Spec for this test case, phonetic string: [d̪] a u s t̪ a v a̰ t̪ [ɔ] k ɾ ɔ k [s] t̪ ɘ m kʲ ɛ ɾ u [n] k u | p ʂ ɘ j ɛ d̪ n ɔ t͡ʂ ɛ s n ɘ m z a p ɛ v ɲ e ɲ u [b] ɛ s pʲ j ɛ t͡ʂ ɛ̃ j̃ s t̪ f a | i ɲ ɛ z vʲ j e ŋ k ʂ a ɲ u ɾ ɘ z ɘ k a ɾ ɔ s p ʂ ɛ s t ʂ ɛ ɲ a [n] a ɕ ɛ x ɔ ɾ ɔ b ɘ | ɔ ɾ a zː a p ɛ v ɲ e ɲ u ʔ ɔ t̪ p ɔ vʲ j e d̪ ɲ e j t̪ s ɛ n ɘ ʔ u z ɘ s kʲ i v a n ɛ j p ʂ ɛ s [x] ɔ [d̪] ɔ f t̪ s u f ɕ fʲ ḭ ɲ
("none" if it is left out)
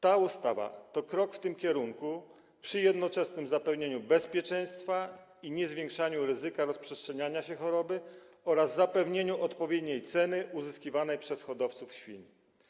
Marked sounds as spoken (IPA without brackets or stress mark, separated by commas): t̪, ɔ, f, ŋ, b, ɲ, x, d̪